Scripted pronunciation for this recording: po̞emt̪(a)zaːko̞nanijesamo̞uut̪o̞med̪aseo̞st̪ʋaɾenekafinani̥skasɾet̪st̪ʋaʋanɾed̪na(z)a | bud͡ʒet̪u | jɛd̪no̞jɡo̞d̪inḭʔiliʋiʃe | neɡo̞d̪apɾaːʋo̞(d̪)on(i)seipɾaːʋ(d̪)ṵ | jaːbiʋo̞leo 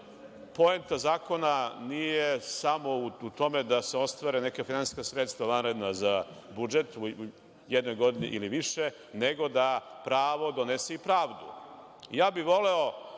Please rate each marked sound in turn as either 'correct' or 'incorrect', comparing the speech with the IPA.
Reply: correct, correct, correct, incorrect: e, correct

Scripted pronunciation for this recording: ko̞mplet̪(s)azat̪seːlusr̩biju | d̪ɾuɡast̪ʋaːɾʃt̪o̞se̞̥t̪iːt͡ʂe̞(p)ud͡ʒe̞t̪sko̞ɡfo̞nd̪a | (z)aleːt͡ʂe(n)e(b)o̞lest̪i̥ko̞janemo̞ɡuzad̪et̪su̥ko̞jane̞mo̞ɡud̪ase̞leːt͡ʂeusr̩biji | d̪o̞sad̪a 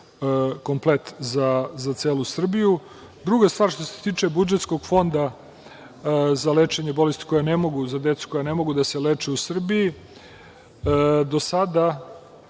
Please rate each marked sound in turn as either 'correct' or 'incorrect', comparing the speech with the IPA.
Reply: incorrect: z, incorrect: b, correct, incorrect: ɲ, correct

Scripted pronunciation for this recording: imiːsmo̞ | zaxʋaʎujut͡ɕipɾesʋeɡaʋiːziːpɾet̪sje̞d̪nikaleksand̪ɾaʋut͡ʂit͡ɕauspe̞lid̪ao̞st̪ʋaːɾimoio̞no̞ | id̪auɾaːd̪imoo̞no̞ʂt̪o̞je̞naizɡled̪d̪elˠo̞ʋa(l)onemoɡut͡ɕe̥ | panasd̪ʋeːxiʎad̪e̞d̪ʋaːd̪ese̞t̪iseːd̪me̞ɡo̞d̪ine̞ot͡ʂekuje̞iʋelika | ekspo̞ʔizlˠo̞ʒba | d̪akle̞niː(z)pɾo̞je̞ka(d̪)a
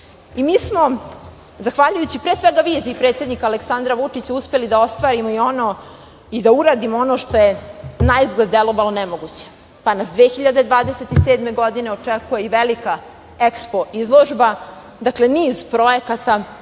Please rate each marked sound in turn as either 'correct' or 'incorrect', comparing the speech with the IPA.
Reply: correct, correct, incorrect: t̪

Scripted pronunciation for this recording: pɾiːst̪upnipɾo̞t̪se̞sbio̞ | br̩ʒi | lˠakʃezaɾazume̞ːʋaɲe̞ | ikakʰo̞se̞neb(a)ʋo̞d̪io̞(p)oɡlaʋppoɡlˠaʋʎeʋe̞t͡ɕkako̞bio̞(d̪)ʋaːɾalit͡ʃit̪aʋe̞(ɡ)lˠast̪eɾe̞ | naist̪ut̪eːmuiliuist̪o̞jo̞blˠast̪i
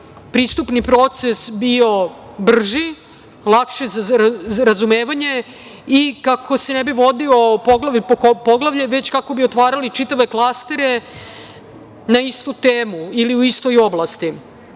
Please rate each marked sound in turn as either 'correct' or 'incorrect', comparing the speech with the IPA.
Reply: incorrect: i, correct, incorrect: t̪, incorrect: k

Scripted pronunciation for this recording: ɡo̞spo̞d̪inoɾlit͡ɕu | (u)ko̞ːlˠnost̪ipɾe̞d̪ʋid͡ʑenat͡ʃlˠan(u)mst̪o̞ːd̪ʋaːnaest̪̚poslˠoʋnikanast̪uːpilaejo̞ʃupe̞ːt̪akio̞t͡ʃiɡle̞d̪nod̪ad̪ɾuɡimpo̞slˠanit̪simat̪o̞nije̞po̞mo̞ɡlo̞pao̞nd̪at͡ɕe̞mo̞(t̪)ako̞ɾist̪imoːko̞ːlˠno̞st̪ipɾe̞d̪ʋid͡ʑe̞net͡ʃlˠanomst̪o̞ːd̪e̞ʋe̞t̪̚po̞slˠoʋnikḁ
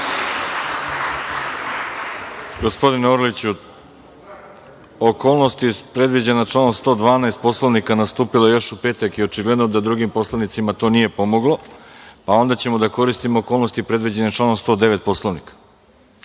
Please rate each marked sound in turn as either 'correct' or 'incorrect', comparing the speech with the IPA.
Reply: incorrect: o, incorrect: o, incorrect: d̪

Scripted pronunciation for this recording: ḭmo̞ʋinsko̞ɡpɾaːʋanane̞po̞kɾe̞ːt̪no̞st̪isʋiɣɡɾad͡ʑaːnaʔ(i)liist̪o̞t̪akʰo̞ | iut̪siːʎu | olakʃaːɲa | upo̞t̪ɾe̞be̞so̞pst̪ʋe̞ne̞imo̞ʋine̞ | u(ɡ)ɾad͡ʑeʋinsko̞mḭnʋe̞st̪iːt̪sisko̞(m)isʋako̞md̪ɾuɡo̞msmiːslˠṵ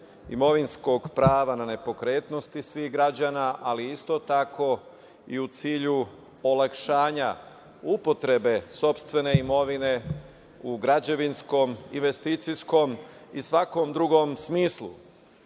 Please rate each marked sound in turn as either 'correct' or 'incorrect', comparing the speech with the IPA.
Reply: incorrect: a, correct, correct

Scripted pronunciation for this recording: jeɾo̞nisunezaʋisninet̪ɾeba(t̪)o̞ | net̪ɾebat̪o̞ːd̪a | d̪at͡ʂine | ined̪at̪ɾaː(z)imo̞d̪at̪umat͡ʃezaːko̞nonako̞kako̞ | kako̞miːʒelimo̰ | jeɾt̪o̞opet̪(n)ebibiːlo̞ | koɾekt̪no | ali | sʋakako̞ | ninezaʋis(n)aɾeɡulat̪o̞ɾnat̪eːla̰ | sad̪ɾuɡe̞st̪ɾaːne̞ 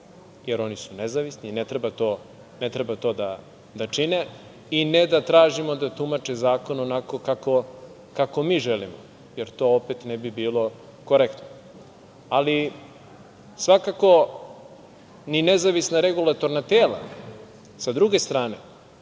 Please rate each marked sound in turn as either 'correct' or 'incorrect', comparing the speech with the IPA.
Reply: correct, incorrect: ʒ, correct, correct

